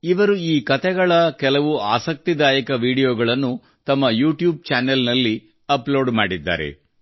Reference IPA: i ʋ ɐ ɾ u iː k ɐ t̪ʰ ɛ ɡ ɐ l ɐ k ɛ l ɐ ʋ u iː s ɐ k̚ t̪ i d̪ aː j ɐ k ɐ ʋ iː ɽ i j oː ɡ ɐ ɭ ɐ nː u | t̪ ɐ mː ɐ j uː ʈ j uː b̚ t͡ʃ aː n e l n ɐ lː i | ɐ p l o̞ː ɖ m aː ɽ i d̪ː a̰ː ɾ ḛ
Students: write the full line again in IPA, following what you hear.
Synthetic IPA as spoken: i ʋ ɐ ɾ u iː k ɐ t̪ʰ ɛ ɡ ɐ ɭ ɐ k ɛ l ɐ ʋ u aː s ɐ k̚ t̪ i d̪ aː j ɐ k ɐ ʋ iː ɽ i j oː ɡ ɐ ɭ ɐ nː u | t̪ ɐ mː ɐ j uː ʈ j uː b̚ t͡ʃ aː n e l n ɐ lː i | ɐ p l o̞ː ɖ m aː ɽ i d̪ː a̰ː ɾ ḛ